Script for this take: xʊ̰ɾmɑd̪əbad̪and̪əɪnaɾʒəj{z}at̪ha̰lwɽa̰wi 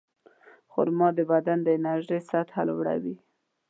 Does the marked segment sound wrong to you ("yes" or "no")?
yes